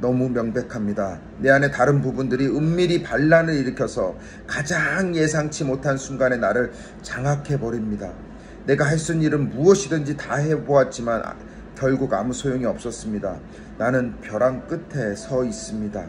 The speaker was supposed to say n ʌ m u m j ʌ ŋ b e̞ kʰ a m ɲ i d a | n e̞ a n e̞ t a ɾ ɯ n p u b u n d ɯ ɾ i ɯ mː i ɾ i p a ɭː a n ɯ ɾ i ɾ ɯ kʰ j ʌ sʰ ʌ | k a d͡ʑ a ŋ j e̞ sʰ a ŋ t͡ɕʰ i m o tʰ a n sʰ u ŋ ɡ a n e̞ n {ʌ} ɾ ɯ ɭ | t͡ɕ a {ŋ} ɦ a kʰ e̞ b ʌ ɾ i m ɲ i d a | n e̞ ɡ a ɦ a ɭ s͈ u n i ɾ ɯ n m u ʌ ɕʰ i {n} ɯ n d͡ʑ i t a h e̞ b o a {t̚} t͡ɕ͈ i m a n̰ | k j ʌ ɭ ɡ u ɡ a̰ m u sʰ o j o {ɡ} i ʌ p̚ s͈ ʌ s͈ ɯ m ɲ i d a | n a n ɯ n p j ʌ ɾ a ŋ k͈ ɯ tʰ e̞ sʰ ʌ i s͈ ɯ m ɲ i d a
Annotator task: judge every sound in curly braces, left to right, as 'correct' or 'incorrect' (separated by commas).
incorrect, correct, incorrect, correct, incorrect